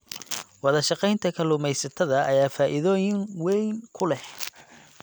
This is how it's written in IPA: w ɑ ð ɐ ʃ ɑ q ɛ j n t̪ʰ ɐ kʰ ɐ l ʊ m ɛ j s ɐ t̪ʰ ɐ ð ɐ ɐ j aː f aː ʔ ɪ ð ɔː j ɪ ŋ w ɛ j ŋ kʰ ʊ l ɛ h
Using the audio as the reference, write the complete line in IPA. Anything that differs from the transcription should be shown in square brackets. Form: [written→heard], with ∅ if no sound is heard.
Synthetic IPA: w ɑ ð ɐ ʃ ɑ q ɛ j n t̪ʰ ɐ kʰ ɐ l ʊ m ɛ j s ɐ t̪ʰ ɐ ð ɐ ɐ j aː f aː ʔ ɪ ð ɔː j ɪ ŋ w ɛ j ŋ kʰ ʊ l ɛ h